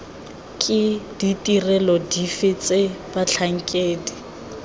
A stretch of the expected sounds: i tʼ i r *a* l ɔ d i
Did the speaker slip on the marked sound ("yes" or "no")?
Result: yes